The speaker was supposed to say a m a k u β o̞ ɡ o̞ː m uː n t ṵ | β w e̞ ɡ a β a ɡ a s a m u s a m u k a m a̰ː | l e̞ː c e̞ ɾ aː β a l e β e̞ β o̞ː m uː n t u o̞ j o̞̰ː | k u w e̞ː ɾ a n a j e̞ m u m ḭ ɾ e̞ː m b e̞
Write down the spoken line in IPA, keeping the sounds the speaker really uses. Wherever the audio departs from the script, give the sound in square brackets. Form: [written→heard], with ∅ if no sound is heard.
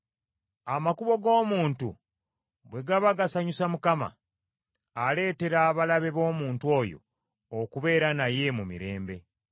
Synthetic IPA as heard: a m a k u β o̞ ɡ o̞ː m uː n t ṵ | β w e̞ ɡ a β a ɡ a s a [m→ɲ] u s a m u k a m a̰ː | l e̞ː [c→t] e̞ ɾ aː β a l [e→a] β e̞ β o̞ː m uː n t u o̞ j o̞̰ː | k u [w→β] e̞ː ɾ a n a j e̞ m u m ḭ ɾ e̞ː m b e̞

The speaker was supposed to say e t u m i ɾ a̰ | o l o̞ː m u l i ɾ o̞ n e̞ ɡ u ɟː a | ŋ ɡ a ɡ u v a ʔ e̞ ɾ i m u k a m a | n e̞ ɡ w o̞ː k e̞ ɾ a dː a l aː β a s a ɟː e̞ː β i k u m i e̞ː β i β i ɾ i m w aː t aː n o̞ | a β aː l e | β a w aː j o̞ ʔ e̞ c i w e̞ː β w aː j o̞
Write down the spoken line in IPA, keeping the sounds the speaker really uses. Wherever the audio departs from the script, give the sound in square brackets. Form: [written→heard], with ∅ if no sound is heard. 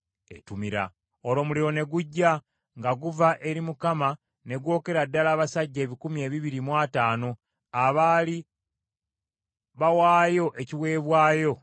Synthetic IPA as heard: e t u m i ɾ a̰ | o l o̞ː m u l i ɾ o̞ n e̞ ɡ u ɟː a | ŋ ɡ a ɡ u v a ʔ e̞ ɾ i m u k a m a | n e̞ ɡ w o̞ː k e̞ ɾ a dː a l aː β a s a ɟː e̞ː β i k u m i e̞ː β i β i ɾ i m w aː t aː n o̞ | a β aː l [e→i] | β a w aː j o̞ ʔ e̞ c i w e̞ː β w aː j o̞

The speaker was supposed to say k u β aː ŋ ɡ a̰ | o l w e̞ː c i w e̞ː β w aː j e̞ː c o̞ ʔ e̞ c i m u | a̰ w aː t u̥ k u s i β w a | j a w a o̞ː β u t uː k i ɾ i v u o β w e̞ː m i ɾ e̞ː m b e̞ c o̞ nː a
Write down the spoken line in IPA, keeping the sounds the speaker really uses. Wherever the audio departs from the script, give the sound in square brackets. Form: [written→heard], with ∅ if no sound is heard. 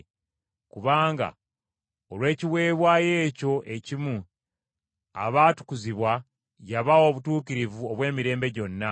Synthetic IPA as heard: k u β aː ŋ ɡ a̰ | o l w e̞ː c i w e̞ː β w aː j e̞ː c o̞ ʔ e̞ c i m u | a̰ [w→β] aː t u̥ k u [s→z] i β w a | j a [w→β] a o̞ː β u t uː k i ɾ i v u o β w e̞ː m i ɾ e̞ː m b e̞ [c→ɟ] o̞ nː a

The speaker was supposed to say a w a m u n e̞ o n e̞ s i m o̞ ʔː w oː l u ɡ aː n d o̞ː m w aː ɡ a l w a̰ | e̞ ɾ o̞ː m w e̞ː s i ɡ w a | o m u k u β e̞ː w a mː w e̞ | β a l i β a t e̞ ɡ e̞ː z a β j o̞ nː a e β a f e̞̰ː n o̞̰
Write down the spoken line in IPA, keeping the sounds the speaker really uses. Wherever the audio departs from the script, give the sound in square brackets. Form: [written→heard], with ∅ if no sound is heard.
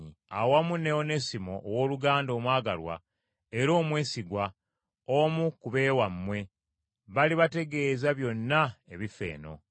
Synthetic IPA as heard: a w a m u n e̞ o n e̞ s i m o̞ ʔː w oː l u ɡ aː n d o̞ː m w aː ɡ a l w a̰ | e̞ ɾ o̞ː m w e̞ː s i ɡ w a | o m u k u β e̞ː w a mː w e̞ | β a l i β a t e̞ ɡ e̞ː z a β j o̞ nː a e β [a→i] f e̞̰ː n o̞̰

